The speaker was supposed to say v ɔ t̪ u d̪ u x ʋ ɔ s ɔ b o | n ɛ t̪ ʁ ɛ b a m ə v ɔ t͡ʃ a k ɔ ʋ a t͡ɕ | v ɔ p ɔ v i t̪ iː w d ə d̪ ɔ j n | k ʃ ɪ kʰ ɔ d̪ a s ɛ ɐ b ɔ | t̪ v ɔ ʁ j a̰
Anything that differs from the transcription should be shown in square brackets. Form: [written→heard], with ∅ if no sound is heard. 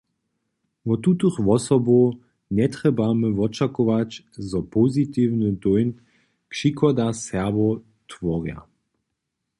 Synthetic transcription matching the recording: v ɔ t̪ u [d̪→t̪] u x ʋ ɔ s ɔ b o | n ɛ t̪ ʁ ɛ b a m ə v ɔ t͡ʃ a k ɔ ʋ a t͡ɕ | [v→z] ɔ p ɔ [v→z] i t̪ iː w [d→n] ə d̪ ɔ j n | k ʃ [ɪ→i] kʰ ɔ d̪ a s ɛ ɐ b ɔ | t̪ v ɔ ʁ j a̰